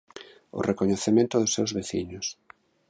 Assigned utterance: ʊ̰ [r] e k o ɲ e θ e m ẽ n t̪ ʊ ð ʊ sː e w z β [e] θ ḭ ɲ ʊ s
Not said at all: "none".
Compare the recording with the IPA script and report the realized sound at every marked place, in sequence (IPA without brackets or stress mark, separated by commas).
r, e